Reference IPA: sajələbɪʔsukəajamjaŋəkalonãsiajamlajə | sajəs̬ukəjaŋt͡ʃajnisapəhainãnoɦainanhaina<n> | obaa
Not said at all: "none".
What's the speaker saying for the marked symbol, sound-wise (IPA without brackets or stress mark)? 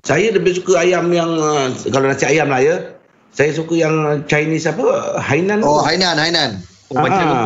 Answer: n